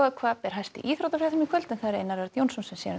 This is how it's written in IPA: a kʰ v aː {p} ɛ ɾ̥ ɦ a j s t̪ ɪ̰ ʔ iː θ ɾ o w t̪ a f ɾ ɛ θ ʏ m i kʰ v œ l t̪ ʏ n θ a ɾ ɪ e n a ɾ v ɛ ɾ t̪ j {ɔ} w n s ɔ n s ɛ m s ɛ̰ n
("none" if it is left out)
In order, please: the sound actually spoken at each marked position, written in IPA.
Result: p, o

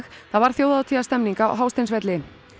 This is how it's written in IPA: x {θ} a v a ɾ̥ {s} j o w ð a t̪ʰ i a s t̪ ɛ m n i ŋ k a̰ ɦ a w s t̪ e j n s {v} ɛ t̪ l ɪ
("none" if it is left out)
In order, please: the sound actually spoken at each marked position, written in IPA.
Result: θ, θ, v

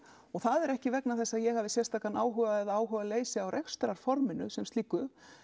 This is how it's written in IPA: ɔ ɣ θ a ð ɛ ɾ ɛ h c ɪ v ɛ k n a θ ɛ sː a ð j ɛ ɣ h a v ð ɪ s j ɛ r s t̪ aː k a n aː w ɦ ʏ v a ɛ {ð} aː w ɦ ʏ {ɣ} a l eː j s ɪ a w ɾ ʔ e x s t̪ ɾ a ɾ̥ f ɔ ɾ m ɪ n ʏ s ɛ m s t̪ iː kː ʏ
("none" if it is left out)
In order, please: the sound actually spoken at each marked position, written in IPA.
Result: ð, v

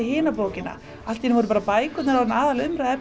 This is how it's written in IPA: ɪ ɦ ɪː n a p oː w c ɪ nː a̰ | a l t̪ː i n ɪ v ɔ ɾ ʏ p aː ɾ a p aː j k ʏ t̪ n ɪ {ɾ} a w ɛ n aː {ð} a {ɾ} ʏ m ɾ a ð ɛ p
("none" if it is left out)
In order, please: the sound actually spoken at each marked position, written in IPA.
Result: ɾ, ð, l

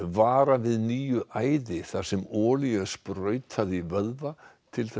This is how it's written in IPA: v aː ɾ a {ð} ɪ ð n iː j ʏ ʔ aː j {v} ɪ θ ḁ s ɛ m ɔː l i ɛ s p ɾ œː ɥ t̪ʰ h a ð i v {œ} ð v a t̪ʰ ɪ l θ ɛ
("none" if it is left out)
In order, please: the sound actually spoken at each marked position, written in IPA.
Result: v, ð, œ

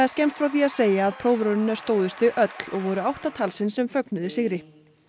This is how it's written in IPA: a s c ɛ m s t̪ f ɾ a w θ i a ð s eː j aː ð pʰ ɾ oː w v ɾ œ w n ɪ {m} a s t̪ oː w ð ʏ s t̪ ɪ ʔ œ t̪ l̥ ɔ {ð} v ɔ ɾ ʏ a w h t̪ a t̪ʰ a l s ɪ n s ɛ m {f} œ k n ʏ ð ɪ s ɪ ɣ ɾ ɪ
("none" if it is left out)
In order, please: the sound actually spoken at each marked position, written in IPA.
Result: n, ɣ, f

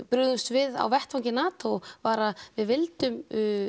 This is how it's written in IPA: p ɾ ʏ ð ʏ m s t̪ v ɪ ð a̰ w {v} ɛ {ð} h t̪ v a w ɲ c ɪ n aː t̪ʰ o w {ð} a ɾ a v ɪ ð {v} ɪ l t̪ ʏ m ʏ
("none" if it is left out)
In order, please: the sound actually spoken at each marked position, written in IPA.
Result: v, none, v, v

